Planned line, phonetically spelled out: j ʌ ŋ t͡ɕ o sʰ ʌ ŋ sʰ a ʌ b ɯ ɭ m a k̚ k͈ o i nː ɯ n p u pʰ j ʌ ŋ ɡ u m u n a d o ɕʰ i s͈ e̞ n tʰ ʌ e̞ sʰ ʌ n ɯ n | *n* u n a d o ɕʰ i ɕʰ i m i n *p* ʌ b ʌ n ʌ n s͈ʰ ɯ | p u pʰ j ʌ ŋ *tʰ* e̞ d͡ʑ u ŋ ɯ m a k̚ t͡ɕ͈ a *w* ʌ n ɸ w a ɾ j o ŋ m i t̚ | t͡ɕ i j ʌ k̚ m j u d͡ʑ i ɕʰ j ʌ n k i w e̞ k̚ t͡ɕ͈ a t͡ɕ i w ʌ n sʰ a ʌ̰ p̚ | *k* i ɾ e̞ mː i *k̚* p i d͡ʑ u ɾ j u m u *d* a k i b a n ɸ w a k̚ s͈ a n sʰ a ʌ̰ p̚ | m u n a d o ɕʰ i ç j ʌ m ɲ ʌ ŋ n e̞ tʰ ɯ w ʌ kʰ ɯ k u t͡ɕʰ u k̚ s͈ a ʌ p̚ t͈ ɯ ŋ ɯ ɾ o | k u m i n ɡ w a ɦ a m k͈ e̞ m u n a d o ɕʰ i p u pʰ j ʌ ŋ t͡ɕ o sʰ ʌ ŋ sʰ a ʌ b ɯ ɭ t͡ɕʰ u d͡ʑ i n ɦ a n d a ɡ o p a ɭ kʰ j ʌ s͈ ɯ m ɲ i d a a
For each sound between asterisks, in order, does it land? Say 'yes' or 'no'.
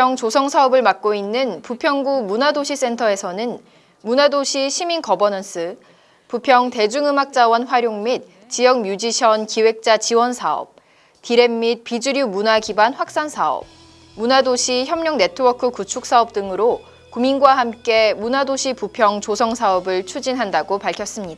no, no, no, yes, no, no, no

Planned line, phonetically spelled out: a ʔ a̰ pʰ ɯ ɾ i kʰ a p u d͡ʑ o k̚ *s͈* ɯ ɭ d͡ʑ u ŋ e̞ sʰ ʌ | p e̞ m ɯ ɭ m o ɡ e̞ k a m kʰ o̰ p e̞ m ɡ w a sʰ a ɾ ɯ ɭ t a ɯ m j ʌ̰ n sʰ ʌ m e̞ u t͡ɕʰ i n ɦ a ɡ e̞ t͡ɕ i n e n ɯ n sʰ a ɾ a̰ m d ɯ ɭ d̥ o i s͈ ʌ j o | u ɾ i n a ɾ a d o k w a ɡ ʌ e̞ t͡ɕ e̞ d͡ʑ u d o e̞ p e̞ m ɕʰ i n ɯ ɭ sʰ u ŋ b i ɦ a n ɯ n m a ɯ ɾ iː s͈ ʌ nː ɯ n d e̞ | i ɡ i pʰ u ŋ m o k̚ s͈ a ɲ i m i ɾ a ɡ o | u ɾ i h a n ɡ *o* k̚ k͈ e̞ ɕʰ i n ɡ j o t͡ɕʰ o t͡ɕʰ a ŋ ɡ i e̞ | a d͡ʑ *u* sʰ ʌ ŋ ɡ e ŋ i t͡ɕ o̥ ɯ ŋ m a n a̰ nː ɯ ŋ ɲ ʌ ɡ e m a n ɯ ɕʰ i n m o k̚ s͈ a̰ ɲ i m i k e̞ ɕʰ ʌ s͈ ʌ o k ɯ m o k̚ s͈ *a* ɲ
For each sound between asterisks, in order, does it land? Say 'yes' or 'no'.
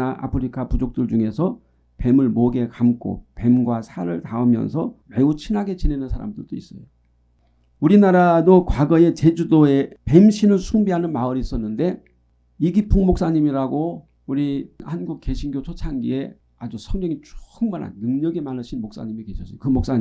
no, no, yes, yes

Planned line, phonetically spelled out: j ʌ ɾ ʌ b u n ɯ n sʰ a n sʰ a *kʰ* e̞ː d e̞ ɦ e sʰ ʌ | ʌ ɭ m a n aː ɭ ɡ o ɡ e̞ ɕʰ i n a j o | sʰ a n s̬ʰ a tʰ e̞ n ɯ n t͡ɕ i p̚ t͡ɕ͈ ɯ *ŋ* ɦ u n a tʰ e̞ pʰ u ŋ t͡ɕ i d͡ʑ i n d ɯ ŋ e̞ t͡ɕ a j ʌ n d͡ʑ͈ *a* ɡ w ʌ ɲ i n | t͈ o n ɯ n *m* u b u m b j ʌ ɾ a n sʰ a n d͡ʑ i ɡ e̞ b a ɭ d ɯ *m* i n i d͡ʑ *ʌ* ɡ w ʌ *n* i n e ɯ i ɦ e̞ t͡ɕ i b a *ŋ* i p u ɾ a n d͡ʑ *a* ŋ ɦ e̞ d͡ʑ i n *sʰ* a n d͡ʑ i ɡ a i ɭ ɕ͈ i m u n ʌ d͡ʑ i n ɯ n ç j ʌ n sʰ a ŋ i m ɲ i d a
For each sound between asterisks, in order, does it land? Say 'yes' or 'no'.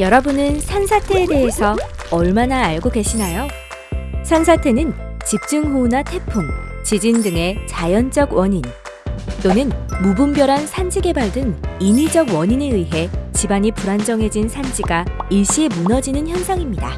no, yes, no, yes, no, yes, no, no, no, yes

